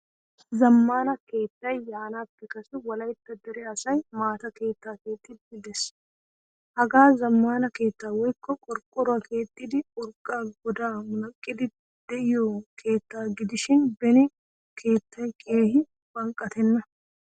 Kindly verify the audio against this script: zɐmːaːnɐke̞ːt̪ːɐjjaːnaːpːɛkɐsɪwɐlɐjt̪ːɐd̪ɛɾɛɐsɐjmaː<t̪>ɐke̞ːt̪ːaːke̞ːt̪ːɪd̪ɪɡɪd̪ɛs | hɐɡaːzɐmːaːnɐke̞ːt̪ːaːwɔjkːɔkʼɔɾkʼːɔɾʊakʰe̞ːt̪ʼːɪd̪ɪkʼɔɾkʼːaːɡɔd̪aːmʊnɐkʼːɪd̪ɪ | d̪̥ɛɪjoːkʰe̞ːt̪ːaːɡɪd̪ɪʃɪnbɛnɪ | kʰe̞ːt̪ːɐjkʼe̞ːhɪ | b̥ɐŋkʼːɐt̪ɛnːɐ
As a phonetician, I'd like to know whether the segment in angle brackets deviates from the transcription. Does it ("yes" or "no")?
no